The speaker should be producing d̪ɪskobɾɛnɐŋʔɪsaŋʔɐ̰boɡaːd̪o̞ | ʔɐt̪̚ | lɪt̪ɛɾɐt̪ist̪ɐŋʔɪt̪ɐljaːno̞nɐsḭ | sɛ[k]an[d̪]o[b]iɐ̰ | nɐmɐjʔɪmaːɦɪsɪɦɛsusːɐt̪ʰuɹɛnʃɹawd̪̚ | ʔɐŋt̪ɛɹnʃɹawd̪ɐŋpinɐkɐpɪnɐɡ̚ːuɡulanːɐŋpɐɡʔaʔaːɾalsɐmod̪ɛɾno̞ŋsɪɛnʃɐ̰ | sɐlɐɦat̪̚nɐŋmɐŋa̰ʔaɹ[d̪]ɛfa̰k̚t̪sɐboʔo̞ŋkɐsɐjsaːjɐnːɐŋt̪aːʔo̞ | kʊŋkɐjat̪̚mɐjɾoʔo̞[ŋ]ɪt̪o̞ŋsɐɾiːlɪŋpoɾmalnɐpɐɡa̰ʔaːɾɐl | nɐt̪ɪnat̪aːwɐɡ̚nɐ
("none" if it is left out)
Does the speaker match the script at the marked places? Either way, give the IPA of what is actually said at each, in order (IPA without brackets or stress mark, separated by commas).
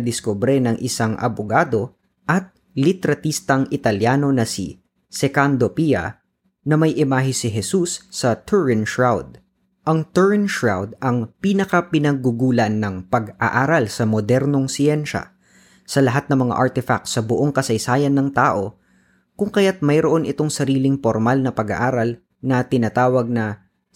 k, d̪, p, t̪, n